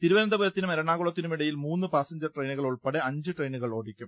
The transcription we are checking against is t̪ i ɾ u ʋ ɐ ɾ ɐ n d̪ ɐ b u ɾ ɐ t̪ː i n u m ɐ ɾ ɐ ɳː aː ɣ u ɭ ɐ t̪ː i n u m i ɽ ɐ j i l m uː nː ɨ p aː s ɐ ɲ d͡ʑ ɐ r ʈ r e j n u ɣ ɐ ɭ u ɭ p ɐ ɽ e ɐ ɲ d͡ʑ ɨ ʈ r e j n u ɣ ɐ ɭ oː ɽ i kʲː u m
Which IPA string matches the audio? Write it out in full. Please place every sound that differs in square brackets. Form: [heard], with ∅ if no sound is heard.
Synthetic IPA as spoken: t̪ i ɾ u ʋ ɐ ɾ ɐ n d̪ ɐ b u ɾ ɐ t̪ː i n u m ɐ ɾ ɐ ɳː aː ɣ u ɭ ɐ t̪ː i n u m i ɽ ɐ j i l m uː nː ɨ p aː s ɐ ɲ d͡ʑ ɐ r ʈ r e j n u ɣ ɐ ɭ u ɭ p ɐ ɽ e ɐ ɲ d͡ʑ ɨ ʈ r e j n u ɣ ɐ ɭ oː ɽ i kʲː u m